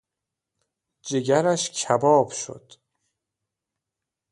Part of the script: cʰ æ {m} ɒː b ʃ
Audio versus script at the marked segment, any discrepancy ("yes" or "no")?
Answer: yes